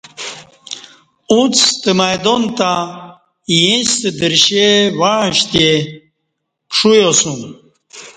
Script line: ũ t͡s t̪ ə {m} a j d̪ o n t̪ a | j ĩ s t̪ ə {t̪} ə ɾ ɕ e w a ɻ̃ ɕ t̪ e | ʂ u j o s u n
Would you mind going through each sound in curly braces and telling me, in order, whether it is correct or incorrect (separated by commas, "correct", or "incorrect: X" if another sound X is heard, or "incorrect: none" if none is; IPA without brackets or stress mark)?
correct, incorrect: d̪